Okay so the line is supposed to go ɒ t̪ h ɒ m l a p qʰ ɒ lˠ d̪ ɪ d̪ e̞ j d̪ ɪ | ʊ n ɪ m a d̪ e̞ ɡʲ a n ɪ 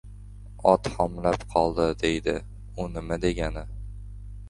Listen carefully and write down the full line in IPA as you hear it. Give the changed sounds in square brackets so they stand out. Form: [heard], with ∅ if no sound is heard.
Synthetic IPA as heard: ɒ t̪ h ɒ m l a p qʰ ɒ lˠ d̪ ɪ d̪ e̞ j d̪ ɪ | ʊ n ɪ m a d̪ e̞ ɡʲ a n ɪ